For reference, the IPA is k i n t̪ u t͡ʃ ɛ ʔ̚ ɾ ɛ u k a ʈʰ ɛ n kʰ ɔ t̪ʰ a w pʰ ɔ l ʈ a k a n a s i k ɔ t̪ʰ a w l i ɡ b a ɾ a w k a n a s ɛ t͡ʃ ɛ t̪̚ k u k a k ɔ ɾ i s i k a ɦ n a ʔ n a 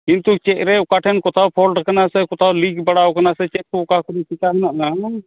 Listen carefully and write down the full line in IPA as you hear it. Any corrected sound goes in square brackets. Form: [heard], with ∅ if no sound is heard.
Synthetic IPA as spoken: k i n t̪ u t͡ʃ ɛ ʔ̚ ɾ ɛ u k a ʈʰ ɛ n [k] ɔ t̪ʰ a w pʰ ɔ l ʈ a k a n a s [ɛ] k ɔ t̪ʰ a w l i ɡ b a [ɽ] a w k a n a s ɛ t͡ʃ ɛ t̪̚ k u k a k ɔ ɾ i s i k a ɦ n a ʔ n a